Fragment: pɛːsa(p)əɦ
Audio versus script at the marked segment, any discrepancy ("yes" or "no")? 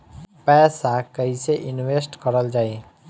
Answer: yes